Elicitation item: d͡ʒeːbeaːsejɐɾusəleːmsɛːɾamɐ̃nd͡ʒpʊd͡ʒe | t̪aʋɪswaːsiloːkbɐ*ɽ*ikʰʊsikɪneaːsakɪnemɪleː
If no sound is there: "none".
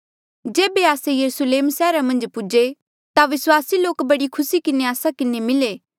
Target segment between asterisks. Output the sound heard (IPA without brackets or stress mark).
ɽ